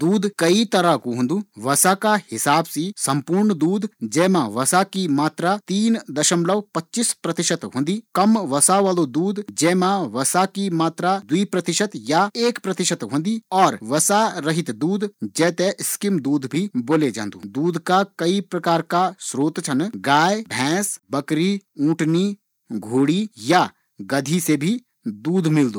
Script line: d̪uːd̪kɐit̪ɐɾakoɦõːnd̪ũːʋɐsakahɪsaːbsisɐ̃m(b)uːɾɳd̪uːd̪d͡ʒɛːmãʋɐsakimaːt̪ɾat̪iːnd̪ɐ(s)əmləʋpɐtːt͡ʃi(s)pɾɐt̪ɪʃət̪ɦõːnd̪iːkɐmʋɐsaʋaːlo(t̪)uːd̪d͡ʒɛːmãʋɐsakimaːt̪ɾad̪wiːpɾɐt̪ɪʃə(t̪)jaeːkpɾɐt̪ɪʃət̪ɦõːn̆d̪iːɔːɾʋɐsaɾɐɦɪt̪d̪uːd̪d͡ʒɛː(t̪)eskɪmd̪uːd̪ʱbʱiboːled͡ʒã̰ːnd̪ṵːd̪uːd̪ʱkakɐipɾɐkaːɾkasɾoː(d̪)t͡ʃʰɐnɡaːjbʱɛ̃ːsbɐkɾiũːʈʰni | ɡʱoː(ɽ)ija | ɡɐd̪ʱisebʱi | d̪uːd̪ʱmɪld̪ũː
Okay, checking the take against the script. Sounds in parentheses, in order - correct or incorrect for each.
incorrect, incorrect, correct, incorrect, correct, correct, incorrect, correct

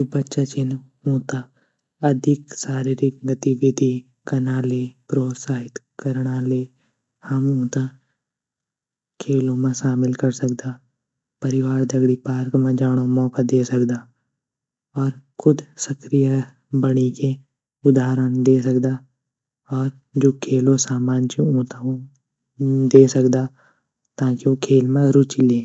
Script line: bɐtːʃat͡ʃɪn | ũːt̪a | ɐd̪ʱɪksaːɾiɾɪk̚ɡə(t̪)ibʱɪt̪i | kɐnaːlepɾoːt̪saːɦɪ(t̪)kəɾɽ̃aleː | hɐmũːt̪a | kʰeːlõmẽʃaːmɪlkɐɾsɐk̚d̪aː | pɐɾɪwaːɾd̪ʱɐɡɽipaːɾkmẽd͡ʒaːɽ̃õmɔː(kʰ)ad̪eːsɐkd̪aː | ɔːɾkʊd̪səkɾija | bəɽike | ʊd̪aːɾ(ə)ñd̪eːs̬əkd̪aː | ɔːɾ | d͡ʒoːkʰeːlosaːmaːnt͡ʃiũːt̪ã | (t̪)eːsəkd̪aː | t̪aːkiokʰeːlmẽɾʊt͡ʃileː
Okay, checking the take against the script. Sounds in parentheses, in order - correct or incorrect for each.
correct, correct, incorrect, correct, incorrect

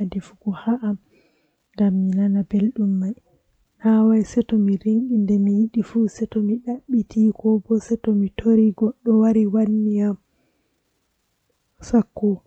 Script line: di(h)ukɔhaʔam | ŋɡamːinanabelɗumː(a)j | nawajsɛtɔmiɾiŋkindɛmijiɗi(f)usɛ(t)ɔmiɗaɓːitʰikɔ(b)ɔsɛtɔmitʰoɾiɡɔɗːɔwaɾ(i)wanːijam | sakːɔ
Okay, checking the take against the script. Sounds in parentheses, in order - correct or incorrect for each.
incorrect, correct, correct, correct, correct, correct

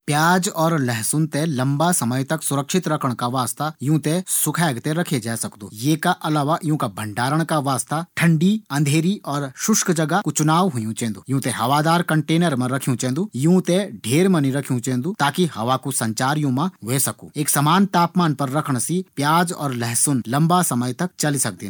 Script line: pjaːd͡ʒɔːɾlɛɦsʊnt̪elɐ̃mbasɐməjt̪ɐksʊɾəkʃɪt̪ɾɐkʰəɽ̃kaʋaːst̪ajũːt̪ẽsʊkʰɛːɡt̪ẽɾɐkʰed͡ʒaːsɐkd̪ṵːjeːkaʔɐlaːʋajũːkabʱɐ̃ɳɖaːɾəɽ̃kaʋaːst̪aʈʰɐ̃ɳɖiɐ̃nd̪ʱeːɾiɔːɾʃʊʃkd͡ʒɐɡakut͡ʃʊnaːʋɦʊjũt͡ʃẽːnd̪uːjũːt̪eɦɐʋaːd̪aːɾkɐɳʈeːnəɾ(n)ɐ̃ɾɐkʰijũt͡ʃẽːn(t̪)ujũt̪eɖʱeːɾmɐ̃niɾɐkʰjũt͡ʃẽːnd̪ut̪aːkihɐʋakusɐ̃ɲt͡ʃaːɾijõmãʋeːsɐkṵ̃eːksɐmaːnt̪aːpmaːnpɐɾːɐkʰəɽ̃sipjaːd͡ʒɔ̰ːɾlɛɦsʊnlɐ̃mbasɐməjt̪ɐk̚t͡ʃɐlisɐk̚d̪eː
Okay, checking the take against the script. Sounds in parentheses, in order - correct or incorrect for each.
incorrect, incorrect

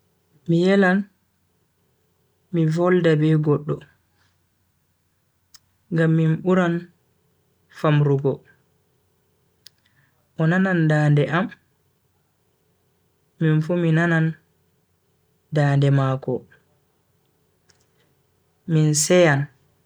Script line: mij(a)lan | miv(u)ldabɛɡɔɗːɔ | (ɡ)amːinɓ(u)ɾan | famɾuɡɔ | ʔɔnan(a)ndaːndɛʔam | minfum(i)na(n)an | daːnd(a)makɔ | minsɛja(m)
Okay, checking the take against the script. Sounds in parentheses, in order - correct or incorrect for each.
incorrect, incorrect, correct, correct, correct, correct, correct, incorrect, incorrect

